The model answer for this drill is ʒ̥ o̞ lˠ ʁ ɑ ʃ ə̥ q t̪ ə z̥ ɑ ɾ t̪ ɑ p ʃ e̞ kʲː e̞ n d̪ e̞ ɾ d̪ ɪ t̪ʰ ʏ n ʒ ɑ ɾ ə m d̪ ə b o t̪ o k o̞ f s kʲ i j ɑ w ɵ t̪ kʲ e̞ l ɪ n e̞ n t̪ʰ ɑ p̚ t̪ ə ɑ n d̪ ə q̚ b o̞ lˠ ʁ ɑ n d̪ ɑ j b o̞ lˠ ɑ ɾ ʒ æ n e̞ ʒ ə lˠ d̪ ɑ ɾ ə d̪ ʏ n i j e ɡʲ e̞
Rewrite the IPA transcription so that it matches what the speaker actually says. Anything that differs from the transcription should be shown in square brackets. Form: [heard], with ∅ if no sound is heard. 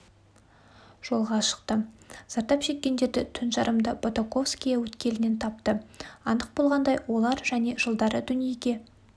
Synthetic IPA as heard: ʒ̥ o̞ lˠ ʁ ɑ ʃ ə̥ q t̪ ə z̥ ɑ ɾ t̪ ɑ p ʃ e̞ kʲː e̞ n d̪ e̞ ɾ d̪ ɪ t̪ʰ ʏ n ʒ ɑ ɾ ə m d̪ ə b o t̪ o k o̞ f s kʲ i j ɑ w ɵ t̪ kʲ e̞ l ɪ n e̞ n t̪ʰ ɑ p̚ t̪ ə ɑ n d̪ ə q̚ b o̞ lˠ ʁ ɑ n d̪ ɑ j [w] o̞ lˠ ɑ ɾ ʒ æ n e̞ ʒ ə lˠ d̪ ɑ ɾ ə d̪ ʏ n i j e ɡʲ e̞